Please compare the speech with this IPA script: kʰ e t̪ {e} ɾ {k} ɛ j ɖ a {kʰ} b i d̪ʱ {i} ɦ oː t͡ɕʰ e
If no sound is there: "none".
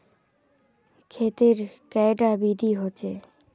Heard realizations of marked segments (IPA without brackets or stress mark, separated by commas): e, k, none, i